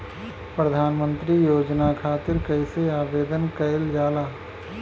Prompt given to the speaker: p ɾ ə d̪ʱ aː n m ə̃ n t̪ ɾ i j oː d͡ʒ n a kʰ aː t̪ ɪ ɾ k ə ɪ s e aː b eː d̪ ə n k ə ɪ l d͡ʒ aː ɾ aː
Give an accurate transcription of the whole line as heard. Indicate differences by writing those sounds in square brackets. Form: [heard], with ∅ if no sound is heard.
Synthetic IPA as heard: p ɾ ə d̪ʱ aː n m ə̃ n t̪ ɾ i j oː d͡ʒ n a kʰ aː t̪ ɪ ɾ k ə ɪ s e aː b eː d̪ ə n k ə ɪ l d͡ʒ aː [l] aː